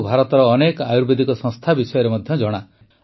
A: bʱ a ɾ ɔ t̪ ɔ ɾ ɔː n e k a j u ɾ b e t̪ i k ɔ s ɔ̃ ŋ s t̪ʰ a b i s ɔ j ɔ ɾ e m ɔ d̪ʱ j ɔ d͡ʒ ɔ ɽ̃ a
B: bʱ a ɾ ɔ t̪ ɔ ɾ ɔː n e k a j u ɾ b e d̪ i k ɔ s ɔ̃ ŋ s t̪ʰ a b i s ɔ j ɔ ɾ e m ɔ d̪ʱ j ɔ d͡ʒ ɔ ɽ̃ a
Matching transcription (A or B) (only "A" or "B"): B